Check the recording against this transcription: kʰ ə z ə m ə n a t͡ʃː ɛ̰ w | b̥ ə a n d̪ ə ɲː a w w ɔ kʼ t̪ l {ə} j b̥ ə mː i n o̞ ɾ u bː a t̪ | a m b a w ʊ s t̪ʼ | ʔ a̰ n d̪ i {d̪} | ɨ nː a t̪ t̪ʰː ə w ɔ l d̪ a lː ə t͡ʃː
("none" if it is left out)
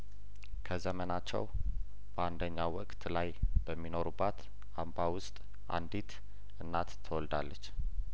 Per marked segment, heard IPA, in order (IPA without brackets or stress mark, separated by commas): a, t̪